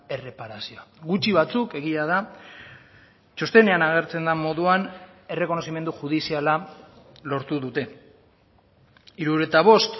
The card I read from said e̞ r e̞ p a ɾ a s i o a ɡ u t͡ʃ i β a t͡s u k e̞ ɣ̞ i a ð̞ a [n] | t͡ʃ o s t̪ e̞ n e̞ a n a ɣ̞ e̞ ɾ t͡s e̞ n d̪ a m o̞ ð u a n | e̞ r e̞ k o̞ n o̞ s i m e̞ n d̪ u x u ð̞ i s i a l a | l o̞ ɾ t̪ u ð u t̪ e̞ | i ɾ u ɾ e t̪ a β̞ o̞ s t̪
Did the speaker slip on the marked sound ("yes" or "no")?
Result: yes